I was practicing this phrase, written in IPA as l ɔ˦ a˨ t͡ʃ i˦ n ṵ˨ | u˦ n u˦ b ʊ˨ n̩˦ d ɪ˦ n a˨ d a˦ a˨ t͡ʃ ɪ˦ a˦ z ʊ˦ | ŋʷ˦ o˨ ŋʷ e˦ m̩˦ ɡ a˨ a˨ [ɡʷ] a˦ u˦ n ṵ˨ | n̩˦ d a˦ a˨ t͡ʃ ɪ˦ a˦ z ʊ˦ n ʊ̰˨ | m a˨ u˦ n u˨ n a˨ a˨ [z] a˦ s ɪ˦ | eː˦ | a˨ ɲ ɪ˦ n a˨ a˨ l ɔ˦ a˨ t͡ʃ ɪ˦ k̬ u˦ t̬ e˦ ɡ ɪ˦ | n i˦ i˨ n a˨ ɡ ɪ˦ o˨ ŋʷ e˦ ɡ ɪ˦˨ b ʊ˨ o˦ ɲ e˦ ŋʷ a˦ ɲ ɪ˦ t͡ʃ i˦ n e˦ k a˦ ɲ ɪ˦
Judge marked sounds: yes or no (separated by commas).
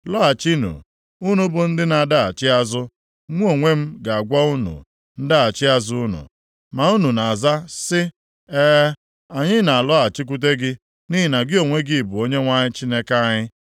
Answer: yes, yes